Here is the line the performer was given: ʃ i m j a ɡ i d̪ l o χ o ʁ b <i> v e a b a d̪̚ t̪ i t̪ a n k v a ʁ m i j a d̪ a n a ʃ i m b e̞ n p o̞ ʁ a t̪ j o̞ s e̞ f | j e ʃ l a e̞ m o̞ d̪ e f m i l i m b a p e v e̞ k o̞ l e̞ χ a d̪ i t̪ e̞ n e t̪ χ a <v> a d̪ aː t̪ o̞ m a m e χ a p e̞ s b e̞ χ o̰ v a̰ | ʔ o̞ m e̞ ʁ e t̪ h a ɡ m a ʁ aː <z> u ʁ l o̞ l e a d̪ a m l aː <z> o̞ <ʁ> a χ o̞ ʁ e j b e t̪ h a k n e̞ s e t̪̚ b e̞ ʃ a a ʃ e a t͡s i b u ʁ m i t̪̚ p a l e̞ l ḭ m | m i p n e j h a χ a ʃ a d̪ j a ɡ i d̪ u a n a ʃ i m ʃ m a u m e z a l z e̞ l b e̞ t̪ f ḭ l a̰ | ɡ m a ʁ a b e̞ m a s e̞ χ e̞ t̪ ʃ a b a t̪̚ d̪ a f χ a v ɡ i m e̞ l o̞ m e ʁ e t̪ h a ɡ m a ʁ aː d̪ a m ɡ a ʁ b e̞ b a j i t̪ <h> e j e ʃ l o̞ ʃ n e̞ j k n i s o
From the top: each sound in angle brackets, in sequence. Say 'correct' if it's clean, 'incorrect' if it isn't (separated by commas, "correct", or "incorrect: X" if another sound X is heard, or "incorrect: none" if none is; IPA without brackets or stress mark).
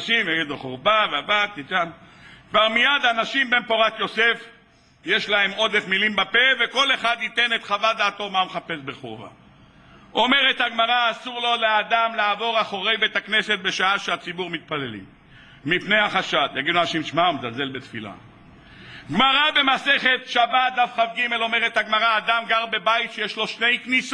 incorrect: a, correct, incorrect: s, incorrect: v, correct, incorrect: ʃ